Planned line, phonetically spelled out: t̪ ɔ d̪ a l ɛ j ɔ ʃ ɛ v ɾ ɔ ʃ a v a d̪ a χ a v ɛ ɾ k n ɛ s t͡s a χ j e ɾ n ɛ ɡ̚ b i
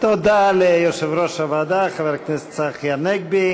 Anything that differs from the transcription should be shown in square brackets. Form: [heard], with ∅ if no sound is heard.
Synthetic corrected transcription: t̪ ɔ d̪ a l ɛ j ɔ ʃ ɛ v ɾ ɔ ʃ a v a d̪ a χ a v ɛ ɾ k n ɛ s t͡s a χ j [a] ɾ n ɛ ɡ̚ b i